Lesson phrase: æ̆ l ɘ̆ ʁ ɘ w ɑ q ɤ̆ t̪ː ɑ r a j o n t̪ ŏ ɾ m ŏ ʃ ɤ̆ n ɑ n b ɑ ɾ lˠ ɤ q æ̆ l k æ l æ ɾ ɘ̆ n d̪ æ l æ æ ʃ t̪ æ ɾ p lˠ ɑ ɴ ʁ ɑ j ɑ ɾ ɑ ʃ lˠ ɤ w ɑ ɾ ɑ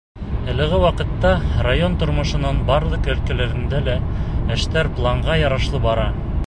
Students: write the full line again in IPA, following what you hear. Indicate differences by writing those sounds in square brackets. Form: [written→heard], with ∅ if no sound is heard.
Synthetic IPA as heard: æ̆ l ɘ̆ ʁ ɘ w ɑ q ɤ̆ t̪ː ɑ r a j o n t̪ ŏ ɾ m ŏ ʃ ɤ̆ n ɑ n b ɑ ɾ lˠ ɤ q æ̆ l k æ l æ ɾ ɘ̆ n d̪ æ l æ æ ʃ t̪ æ ɾ p lˠ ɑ ɴ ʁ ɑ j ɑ ɾ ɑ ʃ lˠ ɤ [w→b] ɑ ɾ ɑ

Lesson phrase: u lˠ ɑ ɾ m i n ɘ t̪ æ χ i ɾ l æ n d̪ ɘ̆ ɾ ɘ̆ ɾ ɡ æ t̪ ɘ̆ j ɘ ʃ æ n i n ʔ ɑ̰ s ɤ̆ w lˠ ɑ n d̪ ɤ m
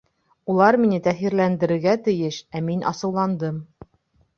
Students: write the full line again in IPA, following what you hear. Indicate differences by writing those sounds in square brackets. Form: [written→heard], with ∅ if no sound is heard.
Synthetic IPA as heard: u lˠ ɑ ɾ m i n ɘ t̪ æ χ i ɾ l æ n d̪ ɘ̆ ɾ ɘ̆ ɾ ɡ æ t̪ ɘ̆ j ɘ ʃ æ [n→m] i n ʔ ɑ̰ s ɤ̆ w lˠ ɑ n d̪ ɤ m

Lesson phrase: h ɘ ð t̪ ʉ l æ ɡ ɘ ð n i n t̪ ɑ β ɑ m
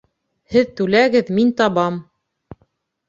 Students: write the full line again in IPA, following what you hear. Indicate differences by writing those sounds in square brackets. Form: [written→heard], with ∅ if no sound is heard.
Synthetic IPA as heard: h ɘ ð t̪ ʉ l æ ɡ ɘ ð [n→m] i n t̪ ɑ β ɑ m

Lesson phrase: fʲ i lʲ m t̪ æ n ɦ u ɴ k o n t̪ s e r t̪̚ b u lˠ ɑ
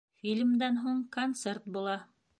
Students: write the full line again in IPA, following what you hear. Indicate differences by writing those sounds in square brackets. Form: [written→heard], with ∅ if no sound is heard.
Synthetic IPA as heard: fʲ i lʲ m [t̪→d̪] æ n ɦ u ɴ k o n t̪ s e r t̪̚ b u lˠ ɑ

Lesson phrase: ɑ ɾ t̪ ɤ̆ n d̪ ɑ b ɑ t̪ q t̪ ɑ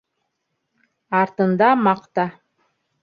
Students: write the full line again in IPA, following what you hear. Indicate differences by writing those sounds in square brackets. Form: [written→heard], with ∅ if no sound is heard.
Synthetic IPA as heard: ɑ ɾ t̪ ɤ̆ n d̪ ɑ [b→m] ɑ [t̪→∅] q t̪ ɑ

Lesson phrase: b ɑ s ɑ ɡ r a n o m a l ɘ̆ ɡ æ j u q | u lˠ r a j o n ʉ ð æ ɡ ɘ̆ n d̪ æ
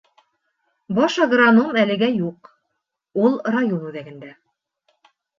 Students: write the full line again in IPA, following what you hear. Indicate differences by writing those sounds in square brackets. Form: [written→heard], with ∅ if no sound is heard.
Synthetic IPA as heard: b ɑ [s→ʃ] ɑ ɡ r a n o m [a→æ] l ɘ̆ ɡ æ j u q | u lˠ r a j o n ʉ ð æ ɡ ɘ̆ n d̪ æ

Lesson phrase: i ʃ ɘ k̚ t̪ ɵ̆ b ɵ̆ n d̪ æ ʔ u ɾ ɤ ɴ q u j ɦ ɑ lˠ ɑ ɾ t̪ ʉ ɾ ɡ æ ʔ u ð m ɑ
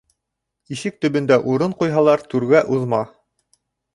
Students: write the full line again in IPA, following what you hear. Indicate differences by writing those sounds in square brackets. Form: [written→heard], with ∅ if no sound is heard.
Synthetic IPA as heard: i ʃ ɘ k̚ t̪ ɵ̆ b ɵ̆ n d̪ æ ʔ u ɾ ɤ ɴ q u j ɦ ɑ lˠ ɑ ɾ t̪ ʉ ɾ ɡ æ ʔ u ð m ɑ

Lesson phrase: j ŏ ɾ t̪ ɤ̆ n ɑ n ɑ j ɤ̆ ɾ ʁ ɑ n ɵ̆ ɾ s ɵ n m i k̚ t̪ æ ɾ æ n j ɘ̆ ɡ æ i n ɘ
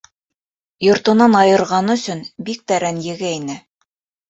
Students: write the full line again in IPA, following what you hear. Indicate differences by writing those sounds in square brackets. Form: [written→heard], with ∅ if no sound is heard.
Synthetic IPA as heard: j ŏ ɾ t̪ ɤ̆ n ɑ n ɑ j ɤ̆ ɾ ʁ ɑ n ɵ̆ [ɾ→∅] s ɵ n [m→b] i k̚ t̪ æ ɾ æ n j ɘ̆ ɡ æ i n ɘ

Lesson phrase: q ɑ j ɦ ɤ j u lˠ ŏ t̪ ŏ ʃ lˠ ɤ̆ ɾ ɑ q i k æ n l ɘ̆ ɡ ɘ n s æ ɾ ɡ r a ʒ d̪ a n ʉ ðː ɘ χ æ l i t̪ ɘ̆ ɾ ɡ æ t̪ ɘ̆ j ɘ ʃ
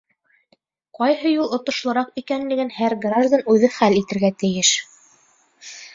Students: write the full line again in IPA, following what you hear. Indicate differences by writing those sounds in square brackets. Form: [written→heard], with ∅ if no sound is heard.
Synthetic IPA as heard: q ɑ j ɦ ɤ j u lˠ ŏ t̪ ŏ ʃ lˠ ɤ̆ ɾ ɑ q i k æ n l ɘ̆ ɡ ɘ n [s→h] æ ɾ ɡ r a ʒ d̪ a n ʉ [ðː→ð] ɘ χ æ l i t̪ ɘ̆ ɾ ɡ æ t̪ ɘ̆ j ɘ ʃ

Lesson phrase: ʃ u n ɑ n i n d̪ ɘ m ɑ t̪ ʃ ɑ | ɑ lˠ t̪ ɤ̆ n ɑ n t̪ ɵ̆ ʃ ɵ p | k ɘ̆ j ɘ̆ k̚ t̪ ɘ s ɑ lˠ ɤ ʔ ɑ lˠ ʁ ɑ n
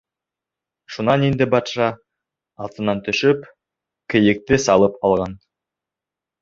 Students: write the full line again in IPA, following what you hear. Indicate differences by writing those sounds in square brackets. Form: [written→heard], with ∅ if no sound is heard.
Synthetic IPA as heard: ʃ u n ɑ n i n d̪ ɘ [m→b] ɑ t̪ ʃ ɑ | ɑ lˠ t̪ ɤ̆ n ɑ n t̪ ɵ̆ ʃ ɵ p | k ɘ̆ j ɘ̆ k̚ t̪ ɘ s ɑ lˠ ɤ [ʔ→p] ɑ lˠ ʁ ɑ n

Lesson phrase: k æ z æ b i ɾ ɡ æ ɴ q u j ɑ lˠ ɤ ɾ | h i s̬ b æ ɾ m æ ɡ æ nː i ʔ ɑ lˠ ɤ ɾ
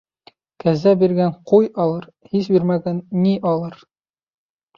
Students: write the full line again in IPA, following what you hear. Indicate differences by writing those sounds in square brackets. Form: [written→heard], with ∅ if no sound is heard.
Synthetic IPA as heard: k æ z æ b i ɾ ɡ æ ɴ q u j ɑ lˠ ɤ ɾ | h i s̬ b [æ→i] ɾ m æ ɡ æ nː i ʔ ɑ lˠ ɤ ɾ

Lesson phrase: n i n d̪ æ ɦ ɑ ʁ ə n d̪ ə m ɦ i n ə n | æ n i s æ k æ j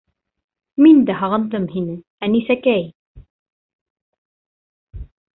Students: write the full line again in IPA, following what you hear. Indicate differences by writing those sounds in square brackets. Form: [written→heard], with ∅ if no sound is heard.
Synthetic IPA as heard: [n→m] i n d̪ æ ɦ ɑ ʁ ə n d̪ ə m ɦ i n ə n | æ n i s æ k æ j

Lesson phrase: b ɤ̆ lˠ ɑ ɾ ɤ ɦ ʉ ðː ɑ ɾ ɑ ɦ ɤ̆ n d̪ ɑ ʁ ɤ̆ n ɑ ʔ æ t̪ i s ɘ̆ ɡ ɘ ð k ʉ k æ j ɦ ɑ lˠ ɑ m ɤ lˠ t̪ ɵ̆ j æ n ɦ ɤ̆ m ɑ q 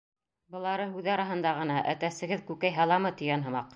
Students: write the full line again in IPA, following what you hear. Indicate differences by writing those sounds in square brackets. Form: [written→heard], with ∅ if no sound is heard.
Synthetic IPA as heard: b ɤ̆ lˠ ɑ ɾ ɤ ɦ ʉ [ðː→ð] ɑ ɾ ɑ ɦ ɤ̆ n d̪ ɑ ʁ ɤ̆ n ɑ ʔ æ t̪ [i→æ] s ɘ̆ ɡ ɘ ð k ʉ k æ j ɦ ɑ lˠ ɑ m ɤ [lˠ→∅] t̪ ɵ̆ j æ n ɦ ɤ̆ m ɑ q

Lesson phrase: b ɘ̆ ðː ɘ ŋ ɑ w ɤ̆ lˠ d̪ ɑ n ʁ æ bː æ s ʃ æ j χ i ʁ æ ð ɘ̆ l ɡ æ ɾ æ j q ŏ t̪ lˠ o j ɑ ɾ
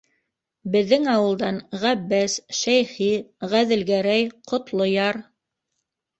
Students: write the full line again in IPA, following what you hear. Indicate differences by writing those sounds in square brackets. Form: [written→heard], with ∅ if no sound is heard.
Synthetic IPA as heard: b ɘ̆ ðː ɘ ŋ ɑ w ɤ̆ lˠ d̪ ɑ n ʁ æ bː æ s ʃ æ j χ i ʁ æ ð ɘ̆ l ɡ æ ɾ æ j q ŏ t̪ lˠ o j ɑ ɾ

